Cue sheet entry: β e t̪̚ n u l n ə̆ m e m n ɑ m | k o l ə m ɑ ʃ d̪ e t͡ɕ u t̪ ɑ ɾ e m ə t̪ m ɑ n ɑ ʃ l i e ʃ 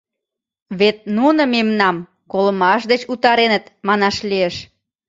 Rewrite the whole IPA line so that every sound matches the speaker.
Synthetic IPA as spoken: β e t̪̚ n u n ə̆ m e m n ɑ m | k o l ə m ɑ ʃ d̪ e t͡ɕ u t̪ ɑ ɾ e n ə t̪ m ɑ n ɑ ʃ l i e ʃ